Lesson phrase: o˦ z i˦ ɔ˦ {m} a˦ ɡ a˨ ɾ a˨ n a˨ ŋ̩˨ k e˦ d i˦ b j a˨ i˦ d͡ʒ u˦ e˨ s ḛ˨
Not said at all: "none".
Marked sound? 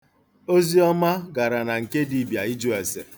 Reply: m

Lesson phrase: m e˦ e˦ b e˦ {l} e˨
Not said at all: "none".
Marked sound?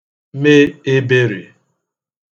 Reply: ɾ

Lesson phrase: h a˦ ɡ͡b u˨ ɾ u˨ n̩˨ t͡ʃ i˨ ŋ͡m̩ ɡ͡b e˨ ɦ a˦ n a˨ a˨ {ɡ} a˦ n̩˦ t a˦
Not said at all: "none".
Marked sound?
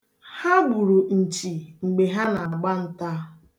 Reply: ɡ͡b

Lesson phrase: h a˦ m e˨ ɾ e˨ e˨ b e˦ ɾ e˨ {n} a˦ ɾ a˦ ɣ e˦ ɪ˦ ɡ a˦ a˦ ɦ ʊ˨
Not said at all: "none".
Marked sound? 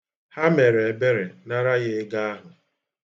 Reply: n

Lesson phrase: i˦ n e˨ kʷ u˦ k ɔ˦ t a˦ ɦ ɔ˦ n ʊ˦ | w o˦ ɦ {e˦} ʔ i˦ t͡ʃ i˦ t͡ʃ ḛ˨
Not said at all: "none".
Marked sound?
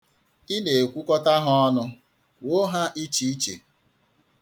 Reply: a˦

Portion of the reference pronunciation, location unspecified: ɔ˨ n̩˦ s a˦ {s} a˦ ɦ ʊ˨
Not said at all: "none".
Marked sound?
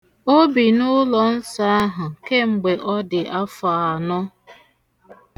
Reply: none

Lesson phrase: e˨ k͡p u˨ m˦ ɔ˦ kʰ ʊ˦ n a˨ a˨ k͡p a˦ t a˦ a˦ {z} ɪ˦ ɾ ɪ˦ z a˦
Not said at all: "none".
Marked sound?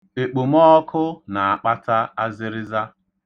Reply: z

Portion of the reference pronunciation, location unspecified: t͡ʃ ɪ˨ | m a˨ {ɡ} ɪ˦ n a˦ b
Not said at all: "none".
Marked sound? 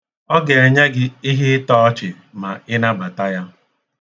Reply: none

